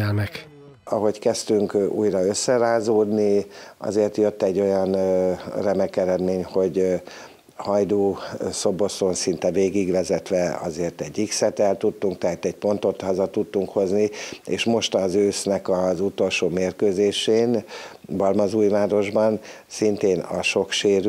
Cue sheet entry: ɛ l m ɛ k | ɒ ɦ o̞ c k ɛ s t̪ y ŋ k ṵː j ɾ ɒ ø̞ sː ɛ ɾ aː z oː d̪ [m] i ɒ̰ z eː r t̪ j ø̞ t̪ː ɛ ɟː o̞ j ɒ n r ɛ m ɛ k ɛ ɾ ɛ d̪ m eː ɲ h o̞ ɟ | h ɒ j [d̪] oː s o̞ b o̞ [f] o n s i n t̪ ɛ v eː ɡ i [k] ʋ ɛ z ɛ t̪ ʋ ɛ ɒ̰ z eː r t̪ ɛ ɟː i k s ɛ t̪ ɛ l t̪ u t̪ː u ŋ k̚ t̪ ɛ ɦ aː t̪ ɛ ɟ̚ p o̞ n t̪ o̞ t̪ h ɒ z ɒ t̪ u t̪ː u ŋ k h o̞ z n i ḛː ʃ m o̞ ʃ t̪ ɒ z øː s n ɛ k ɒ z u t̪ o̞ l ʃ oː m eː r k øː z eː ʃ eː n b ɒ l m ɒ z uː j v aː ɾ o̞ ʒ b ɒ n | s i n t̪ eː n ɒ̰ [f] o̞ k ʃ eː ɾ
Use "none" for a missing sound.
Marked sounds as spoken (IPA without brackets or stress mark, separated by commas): n, d̪, s, ɡ, ʃ